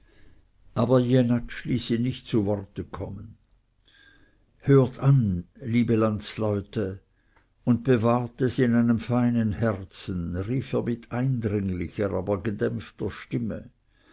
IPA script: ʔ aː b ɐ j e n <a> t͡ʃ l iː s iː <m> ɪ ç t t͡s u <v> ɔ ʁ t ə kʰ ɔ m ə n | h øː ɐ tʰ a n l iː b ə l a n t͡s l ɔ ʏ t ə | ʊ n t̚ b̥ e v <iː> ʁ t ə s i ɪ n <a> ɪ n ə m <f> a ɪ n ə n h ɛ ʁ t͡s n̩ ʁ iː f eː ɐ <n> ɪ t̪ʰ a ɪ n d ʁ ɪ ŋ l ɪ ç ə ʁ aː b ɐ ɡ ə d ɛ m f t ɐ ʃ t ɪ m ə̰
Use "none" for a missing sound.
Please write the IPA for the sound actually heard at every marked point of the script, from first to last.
a, n, v, aː, a, f, m

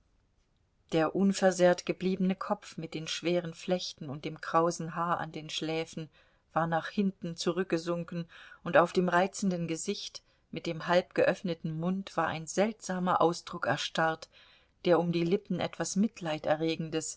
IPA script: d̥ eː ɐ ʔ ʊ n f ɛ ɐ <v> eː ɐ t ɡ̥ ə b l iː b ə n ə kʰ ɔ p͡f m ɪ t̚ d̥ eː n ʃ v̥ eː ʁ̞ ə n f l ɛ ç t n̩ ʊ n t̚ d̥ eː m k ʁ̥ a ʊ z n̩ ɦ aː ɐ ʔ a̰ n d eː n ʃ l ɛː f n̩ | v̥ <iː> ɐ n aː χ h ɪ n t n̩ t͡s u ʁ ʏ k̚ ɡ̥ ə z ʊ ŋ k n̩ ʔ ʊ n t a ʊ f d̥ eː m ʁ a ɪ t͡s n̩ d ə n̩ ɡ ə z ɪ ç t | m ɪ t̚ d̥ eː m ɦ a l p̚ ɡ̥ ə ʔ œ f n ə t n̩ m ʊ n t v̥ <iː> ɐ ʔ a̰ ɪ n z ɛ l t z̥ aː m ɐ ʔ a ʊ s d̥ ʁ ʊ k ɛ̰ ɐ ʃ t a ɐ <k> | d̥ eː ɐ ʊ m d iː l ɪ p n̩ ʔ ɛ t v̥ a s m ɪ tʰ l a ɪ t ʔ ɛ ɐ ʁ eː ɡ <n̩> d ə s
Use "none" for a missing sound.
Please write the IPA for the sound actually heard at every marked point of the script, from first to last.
z, aː, aː, t, ŋ̩

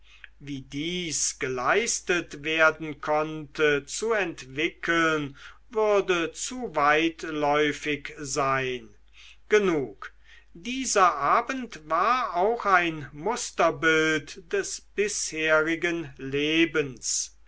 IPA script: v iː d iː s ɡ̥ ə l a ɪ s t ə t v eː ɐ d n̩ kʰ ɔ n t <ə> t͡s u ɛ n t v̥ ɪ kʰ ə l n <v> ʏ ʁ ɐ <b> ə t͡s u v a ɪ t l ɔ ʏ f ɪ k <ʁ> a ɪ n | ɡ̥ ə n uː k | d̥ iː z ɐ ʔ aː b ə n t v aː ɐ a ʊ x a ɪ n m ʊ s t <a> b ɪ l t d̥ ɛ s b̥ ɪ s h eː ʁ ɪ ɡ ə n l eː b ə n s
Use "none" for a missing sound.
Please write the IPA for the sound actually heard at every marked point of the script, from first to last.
ə, v, d, z, ɐ

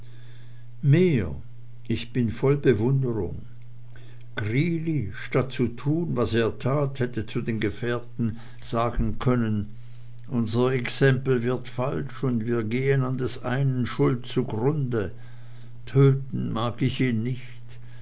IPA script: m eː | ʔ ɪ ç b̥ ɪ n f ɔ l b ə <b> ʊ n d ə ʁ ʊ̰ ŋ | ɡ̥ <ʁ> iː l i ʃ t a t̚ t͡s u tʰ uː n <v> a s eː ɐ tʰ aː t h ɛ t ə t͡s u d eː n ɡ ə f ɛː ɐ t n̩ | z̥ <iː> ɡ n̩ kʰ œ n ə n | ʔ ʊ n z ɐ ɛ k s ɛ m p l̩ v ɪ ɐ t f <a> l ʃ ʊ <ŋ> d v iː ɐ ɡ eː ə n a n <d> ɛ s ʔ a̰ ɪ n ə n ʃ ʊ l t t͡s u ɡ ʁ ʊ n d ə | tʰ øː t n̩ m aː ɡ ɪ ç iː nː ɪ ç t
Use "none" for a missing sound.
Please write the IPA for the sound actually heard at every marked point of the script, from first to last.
v, ʁ, v, aː, a, n, d

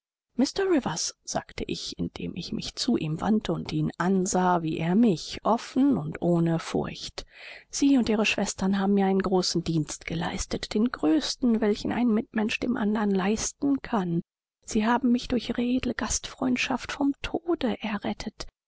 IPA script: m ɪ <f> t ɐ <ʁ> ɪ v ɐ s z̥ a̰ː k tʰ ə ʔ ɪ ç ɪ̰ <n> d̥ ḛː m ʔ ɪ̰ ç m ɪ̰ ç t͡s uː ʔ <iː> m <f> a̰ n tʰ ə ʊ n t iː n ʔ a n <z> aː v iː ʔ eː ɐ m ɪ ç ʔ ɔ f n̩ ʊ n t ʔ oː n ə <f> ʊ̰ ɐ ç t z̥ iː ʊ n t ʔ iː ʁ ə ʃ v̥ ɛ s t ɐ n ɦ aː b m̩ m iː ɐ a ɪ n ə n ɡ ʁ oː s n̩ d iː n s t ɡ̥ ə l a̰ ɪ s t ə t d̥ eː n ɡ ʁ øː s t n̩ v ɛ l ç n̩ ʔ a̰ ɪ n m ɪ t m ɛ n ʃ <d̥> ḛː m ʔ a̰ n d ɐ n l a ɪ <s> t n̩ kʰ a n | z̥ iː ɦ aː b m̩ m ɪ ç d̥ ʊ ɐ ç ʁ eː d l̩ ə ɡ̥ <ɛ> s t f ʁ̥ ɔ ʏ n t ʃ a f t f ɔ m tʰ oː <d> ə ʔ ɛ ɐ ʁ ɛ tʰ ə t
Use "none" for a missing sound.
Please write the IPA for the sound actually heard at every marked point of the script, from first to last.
s, ʁ, n, iː, v, z, f, d̥, s, a, d

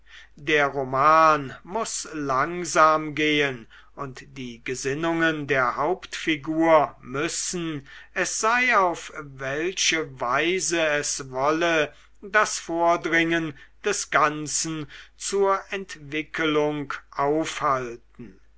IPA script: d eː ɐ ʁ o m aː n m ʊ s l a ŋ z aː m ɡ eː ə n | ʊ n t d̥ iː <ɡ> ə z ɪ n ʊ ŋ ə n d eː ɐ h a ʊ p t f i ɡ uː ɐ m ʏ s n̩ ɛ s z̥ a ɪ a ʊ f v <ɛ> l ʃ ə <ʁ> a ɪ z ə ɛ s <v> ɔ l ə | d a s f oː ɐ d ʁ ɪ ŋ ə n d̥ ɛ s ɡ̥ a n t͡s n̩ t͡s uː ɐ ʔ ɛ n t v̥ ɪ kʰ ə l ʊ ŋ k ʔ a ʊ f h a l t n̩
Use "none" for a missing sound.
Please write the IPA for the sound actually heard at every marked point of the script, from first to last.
ɡ, ɛ, v, v

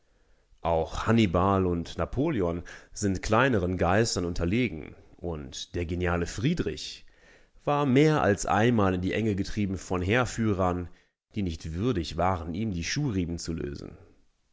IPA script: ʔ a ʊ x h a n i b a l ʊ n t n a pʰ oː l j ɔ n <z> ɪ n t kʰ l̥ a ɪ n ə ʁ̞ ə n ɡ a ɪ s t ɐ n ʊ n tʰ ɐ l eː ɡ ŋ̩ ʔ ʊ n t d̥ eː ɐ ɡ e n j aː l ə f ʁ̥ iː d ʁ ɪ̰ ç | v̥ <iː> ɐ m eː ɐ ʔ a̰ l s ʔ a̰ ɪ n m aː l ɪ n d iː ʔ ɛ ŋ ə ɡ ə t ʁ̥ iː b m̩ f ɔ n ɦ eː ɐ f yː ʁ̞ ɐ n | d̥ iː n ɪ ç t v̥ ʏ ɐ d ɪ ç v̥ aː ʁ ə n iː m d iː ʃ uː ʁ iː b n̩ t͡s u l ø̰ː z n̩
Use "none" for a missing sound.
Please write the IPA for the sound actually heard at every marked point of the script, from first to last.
z, aː

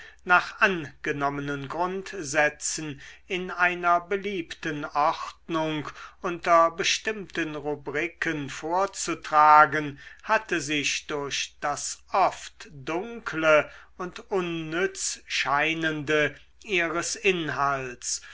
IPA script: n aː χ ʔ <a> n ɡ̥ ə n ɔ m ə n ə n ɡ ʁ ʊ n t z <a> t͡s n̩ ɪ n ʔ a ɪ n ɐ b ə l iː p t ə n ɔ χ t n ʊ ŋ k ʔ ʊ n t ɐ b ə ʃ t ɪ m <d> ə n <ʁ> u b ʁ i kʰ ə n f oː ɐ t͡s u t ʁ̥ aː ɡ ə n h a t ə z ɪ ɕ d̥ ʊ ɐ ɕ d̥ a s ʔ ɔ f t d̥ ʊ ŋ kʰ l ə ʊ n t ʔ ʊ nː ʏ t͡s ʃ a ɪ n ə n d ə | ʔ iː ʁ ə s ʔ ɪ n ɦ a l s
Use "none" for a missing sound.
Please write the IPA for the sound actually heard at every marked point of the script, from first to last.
a, ɛ, t, ʁ

